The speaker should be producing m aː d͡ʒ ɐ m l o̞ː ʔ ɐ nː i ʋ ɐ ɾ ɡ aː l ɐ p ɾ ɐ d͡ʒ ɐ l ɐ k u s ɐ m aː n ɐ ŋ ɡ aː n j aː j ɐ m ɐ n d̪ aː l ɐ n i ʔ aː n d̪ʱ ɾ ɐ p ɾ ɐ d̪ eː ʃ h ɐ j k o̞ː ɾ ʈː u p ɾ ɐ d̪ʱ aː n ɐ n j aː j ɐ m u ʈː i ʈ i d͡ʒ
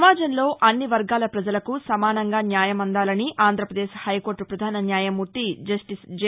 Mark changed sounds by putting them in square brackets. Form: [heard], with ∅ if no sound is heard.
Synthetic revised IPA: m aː d͡ʒ ɐ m l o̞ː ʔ ɐ nː i ʋ ɐ ɾ ɡ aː l ɐ p ɾ ɐ d͡ʒ ɐ l ɐ k u s ɐ m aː n ɐ ŋ ɡ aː n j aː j ɐ m ɐ n d̪ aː l ɐ n i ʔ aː n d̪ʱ ɾ ɐ p ɾ ɐ d̪ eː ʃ h ɐ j k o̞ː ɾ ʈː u p ɾ ɐ d̪ʱ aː n ɐ n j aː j ɐ m u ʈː i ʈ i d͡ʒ